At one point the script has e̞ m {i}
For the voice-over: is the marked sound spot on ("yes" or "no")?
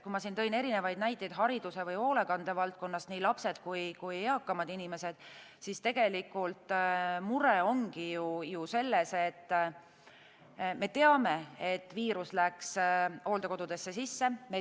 no